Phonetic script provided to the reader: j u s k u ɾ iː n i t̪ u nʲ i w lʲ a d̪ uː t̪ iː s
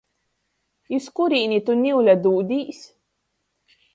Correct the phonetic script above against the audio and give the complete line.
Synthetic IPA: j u s k u ɾ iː n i t̪ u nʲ i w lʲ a d̪ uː d̪ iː s